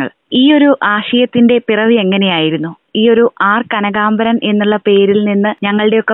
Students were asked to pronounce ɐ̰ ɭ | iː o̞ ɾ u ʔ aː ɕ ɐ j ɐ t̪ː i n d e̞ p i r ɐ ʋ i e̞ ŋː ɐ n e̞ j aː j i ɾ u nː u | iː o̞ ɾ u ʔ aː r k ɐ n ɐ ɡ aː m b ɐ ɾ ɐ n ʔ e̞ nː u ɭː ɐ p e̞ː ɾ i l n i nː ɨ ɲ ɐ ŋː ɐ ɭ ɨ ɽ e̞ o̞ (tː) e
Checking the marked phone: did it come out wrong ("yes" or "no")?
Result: yes